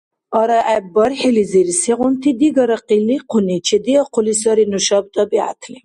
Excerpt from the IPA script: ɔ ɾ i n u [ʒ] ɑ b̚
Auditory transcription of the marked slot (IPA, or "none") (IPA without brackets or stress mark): ʃ